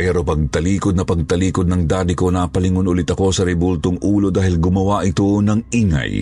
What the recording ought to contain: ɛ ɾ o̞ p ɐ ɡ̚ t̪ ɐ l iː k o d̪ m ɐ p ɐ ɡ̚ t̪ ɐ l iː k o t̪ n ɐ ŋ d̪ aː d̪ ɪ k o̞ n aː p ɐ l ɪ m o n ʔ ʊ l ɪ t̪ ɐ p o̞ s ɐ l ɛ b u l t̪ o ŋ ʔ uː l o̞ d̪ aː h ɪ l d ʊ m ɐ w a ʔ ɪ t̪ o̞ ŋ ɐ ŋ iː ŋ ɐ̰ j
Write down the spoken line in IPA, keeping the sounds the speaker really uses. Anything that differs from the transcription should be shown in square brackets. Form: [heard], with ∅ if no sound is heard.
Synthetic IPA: ɛ ɾ o̞ p ɐ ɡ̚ t̪ ɐ l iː k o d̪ [n] ɐ p ɐ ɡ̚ t̪ ɐ l iː k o [d̪] n ɐ ŋ d̪ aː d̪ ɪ k o̞ n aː p ɐ l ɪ [ŋ] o n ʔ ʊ l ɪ t̪ ɐ [k] o̞ s ɐ [ɾ] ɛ b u l t̪ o ŋ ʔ uː l o̞ d̪ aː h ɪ l [ɡ] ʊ m ɐ w a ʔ ɪ t̪ o̞ [n] ɐ ŋ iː ŋ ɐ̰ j